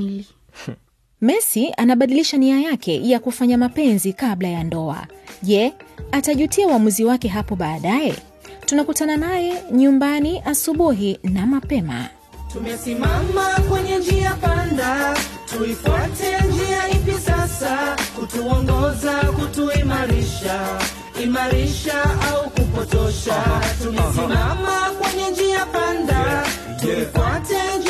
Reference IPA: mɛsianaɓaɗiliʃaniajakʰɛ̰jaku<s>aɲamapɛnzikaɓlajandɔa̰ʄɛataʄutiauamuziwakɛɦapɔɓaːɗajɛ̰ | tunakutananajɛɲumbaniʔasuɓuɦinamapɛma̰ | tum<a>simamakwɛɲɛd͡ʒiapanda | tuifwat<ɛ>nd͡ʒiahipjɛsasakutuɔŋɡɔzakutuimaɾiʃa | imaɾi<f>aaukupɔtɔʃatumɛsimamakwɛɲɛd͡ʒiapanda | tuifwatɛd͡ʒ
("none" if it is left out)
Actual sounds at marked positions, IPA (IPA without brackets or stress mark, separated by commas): f, ɛ, ɛ, ʃ